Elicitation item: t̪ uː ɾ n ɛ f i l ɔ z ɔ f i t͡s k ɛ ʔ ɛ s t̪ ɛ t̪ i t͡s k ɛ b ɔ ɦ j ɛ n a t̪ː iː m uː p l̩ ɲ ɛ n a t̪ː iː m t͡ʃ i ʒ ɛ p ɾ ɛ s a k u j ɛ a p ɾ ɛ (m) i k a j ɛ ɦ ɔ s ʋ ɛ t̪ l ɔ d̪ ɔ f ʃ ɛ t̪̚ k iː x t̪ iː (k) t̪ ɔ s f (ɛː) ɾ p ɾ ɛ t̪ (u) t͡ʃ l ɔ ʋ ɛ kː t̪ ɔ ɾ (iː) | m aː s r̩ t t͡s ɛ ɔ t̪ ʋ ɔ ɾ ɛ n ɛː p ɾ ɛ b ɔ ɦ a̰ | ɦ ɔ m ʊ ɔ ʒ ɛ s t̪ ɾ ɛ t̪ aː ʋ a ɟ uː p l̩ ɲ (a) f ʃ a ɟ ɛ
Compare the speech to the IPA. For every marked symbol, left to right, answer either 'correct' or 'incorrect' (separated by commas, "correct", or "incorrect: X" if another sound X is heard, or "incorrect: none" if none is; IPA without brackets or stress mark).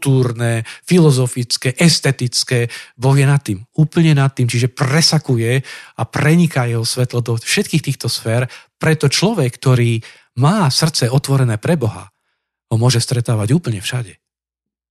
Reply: incorrect: ɲ, incorrect: x, correct, incorrect: ɔ, correct, incorrect: ɛ